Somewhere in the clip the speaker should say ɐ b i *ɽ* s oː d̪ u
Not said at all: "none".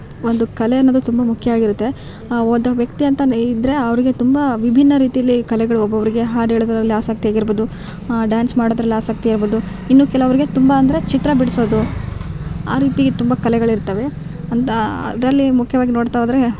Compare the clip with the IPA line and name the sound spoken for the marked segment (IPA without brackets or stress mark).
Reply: ɽ